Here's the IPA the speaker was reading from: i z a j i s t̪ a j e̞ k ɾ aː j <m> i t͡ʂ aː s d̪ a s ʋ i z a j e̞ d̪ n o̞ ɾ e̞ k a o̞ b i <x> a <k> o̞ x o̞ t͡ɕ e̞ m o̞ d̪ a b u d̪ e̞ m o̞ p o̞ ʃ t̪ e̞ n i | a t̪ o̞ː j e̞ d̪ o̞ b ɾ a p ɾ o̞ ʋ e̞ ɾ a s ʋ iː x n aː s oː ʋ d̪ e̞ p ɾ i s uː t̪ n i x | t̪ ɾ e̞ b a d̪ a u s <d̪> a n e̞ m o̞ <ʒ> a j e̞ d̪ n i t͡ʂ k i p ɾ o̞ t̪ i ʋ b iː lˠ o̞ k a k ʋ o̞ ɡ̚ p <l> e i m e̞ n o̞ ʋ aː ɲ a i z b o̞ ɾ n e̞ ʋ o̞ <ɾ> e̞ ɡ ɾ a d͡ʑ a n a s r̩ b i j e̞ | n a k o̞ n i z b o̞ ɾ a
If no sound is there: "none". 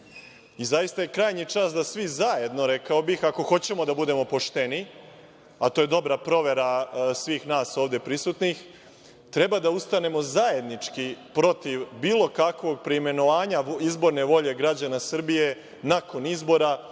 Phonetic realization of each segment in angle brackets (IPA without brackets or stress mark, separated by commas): ɲ, x, k, t̪, z, ɾ, ʎ